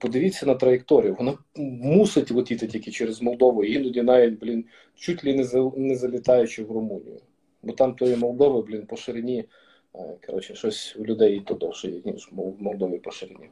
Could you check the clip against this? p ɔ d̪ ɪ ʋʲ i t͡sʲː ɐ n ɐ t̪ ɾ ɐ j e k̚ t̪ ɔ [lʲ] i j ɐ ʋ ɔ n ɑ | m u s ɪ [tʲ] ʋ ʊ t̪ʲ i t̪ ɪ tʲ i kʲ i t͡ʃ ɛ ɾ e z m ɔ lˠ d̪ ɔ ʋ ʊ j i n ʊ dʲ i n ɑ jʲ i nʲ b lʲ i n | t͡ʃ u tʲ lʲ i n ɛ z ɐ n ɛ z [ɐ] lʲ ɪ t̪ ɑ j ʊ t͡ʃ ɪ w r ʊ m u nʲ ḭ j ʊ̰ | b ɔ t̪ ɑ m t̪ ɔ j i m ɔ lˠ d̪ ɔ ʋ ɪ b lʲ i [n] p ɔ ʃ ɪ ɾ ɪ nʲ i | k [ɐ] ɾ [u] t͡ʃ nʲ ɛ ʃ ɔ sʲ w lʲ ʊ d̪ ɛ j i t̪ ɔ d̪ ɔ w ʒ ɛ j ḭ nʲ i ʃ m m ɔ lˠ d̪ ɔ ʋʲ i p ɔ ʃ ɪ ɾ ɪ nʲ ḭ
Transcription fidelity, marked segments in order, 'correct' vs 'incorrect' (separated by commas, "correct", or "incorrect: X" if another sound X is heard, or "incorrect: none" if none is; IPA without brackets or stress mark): incorrect: ɾʲ, correct, correct, correct, correct, incorrect: ɔ